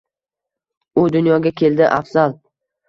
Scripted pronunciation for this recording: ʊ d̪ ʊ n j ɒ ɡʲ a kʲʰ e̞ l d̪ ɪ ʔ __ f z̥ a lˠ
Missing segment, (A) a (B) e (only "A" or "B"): A